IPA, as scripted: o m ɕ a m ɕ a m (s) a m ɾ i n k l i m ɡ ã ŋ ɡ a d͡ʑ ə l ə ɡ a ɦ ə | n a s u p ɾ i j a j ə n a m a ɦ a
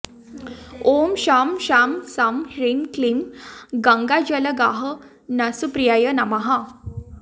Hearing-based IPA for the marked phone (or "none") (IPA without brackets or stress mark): s